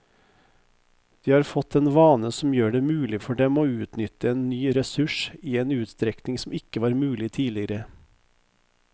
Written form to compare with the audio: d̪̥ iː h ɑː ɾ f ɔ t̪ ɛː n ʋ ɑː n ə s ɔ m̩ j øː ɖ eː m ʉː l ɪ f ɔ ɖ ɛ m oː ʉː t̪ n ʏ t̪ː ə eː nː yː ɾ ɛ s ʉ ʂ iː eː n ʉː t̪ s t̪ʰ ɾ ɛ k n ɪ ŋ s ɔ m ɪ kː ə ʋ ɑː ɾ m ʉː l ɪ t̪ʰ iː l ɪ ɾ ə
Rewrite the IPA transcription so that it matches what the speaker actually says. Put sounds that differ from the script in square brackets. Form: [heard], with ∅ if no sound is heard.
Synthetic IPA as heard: d̪̥ iː h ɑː ɾ f ɔ t̪ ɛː n ʋ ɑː n ə s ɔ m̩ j øː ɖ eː m ʉː l ɪ f ɔ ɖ ɛ m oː ʉː t̪ n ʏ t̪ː ə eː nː yː ɾ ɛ s ʉ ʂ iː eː n ʉː t̪ s [t̪] ɾ ɛ k n ɪ ŋ s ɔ m ɪ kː ə ʋ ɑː ɾ m ʉː l ɪ t̪ʰ iː l ɪ ɾ ə